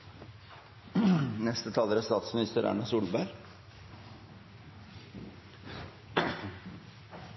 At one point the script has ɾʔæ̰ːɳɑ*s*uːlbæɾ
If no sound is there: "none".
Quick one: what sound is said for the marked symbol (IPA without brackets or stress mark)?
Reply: s